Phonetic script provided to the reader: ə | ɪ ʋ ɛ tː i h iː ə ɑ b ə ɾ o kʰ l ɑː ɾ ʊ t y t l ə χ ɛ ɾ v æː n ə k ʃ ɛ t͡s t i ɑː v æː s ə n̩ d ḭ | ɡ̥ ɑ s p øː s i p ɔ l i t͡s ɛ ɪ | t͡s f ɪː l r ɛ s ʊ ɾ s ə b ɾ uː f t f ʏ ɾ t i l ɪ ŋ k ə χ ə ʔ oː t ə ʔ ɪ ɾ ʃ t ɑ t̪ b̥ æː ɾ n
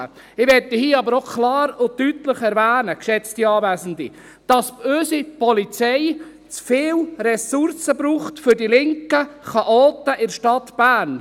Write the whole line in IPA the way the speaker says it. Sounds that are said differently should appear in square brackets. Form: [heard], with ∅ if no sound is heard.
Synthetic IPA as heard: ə | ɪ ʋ ɛ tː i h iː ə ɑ b ə ɾ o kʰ l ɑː ɾ ʊ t y t l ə χ ɛ ɾ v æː n ə k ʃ ɛ t͡s t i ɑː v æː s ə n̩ d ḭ | [d̥] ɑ s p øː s i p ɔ l i t͡s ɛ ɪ | t͡s f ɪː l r ɛ s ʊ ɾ s ə b ɾ uː [χ] t f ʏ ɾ [d] i l ɪ ŋ k ə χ [ɑ] ʔ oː t ə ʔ ɪ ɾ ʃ t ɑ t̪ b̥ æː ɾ n